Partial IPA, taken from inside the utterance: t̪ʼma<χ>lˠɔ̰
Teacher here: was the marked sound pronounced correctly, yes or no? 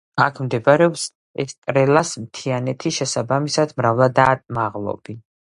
no